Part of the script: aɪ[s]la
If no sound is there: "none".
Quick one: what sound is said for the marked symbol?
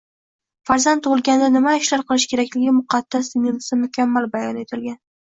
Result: ʃ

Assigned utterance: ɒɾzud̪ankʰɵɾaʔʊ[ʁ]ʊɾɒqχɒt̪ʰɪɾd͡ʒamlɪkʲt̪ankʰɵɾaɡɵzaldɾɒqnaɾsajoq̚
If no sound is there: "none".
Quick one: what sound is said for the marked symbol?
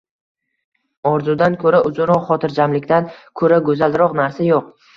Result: z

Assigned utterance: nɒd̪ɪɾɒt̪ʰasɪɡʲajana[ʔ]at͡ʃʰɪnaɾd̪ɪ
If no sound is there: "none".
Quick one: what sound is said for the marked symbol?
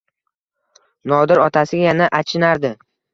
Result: ʔ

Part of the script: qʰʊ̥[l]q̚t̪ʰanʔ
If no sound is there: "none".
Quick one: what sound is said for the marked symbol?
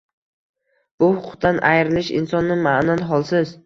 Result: none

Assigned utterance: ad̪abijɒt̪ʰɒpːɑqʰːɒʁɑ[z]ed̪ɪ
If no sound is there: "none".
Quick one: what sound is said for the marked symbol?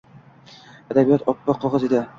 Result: z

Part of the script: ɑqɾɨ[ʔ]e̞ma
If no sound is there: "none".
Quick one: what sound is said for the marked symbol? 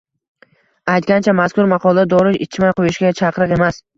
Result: q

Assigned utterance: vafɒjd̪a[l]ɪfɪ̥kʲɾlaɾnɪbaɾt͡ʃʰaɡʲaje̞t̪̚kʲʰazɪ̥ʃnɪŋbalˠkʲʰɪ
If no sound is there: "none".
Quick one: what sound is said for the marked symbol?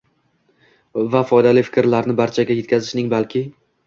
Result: l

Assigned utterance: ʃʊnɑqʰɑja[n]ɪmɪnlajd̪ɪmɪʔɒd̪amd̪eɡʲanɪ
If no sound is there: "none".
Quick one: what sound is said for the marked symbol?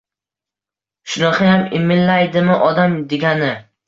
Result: m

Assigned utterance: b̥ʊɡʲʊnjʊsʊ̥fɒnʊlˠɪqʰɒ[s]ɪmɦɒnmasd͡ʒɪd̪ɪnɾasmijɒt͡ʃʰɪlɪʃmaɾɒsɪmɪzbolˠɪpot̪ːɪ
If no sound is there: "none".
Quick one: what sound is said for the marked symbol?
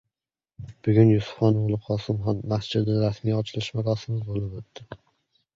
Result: s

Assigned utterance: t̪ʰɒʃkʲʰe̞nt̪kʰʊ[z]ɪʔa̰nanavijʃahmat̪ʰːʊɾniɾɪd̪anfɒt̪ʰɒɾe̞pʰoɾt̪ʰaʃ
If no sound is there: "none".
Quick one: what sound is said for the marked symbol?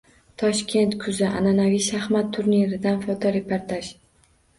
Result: z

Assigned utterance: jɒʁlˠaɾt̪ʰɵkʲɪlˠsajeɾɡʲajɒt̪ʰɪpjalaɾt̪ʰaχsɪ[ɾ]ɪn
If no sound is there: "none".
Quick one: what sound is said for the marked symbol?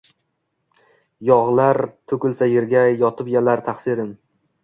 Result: ɾ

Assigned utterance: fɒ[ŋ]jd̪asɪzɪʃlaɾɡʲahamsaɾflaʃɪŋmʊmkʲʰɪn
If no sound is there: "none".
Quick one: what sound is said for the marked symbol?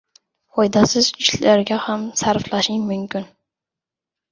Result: none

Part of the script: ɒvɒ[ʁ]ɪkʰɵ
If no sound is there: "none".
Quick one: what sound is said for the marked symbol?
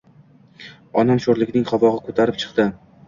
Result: ʁ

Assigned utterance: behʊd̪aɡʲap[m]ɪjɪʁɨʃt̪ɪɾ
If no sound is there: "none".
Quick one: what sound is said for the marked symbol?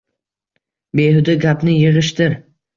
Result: n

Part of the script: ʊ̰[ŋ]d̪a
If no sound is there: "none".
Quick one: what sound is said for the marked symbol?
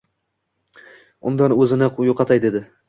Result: n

